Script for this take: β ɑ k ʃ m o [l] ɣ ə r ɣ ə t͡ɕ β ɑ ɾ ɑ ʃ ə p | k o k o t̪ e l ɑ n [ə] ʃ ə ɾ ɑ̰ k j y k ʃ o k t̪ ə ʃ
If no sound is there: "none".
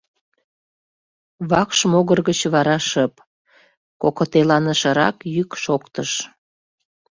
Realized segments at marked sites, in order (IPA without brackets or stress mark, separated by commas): none, ə